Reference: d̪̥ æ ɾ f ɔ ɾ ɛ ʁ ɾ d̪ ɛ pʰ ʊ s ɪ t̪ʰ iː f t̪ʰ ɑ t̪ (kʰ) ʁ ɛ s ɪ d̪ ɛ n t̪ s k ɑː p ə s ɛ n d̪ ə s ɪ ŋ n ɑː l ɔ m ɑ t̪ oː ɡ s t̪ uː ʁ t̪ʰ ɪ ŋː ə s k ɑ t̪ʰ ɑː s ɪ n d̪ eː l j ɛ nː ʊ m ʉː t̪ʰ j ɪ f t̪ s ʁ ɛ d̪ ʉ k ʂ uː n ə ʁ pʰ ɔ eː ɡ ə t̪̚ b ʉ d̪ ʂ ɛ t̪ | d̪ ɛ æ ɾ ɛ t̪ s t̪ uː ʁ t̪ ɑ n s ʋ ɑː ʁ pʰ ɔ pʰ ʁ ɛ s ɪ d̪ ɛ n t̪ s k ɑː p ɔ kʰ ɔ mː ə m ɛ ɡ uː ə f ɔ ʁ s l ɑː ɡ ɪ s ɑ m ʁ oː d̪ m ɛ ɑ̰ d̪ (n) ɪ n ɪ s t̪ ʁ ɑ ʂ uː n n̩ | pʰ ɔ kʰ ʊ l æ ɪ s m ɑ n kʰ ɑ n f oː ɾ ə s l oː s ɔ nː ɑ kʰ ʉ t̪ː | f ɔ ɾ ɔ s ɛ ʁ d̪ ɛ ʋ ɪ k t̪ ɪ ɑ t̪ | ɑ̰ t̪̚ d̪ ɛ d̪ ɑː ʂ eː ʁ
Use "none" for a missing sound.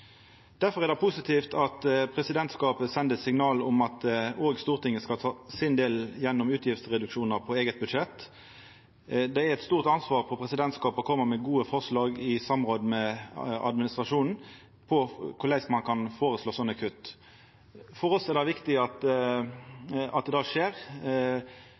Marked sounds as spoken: pʰ, m

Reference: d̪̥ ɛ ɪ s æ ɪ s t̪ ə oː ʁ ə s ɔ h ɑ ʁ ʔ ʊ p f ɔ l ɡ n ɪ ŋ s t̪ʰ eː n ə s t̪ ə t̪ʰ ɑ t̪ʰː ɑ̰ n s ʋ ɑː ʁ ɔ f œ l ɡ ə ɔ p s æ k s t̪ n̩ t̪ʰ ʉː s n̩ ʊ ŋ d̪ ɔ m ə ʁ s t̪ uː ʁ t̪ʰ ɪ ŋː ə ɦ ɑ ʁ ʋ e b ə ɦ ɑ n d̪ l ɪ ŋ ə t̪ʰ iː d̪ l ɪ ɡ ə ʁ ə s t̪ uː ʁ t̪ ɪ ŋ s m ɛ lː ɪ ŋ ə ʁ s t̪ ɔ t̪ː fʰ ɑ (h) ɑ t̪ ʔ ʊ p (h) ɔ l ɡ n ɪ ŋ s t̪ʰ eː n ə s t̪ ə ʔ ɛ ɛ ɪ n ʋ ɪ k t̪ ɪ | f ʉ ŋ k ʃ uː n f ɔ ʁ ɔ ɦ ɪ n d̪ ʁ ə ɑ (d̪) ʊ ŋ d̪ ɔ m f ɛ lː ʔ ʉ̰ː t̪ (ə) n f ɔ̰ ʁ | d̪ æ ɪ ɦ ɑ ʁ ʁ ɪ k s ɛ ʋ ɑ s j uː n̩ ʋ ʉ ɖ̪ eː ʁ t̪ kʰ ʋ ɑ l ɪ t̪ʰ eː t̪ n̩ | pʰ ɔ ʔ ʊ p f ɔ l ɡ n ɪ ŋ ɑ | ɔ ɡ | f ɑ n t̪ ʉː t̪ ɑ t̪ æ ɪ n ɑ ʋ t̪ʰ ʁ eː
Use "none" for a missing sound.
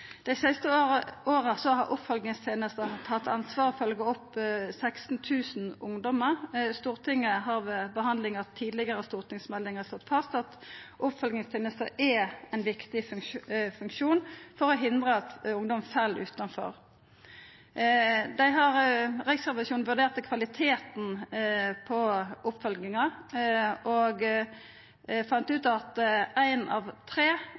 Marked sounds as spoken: s, f, t̪, ɑ

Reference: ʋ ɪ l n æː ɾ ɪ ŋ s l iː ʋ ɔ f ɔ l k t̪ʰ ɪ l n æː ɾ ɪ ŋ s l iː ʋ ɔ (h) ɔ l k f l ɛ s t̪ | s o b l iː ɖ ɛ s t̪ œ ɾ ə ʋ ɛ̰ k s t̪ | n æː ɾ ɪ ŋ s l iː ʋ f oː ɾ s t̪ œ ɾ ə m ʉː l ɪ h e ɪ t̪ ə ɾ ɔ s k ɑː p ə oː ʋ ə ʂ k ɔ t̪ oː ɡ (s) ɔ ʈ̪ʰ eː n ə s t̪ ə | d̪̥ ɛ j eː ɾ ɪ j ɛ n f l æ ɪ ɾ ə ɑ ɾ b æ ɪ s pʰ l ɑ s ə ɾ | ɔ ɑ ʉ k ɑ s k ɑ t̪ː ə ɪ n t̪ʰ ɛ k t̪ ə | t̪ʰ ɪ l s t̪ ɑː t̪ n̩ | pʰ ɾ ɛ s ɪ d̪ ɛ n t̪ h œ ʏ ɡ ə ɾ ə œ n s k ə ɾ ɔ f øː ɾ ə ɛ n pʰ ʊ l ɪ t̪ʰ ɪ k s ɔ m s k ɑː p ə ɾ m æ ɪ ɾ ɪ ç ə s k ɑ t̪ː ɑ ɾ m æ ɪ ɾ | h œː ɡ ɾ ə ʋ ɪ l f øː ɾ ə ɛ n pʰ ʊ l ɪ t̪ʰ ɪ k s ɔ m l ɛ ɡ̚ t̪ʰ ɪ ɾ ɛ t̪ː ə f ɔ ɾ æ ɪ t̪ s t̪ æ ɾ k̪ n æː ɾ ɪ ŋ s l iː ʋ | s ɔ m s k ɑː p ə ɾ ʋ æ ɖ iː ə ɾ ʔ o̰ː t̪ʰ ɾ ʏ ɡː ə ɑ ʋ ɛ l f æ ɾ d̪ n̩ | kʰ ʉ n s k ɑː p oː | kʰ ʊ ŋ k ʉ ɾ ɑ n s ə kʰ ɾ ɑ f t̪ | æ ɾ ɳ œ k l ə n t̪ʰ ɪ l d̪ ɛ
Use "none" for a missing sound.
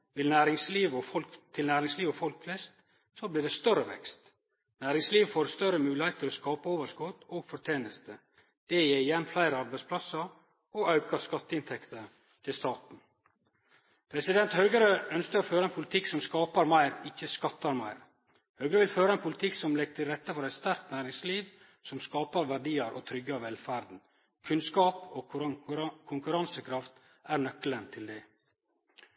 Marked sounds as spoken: f, f

